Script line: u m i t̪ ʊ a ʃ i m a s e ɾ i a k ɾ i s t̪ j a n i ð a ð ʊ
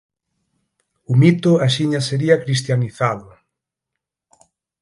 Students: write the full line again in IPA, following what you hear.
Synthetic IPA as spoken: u m i t̪ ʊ a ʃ i ɲ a s e ɾ i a k ɾ i s t̪ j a n i θ a ð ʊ